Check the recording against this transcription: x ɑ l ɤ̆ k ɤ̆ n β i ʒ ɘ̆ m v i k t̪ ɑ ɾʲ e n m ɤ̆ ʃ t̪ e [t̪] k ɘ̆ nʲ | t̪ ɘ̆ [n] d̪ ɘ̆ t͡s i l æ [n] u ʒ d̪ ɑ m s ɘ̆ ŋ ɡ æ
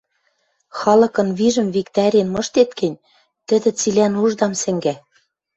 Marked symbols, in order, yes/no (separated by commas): yes, no, yes